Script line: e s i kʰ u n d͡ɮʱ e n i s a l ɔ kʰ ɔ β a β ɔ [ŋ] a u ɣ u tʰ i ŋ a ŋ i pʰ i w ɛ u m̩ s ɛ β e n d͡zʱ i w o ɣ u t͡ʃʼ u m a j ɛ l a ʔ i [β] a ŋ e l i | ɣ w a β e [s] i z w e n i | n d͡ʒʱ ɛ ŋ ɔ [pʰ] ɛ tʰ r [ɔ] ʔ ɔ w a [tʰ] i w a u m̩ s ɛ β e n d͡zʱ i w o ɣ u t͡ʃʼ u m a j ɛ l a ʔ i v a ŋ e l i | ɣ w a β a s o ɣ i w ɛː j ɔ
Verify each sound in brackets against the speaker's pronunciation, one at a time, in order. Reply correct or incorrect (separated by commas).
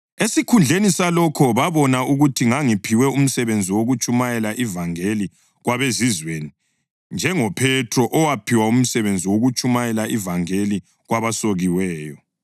incorrect, incorrect, incorrect, correct, correct, incorrect